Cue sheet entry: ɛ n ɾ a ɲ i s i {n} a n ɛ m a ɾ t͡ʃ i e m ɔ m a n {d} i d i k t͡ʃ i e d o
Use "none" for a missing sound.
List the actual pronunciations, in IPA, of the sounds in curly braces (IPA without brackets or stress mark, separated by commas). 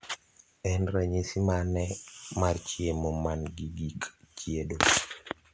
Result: m, ɡ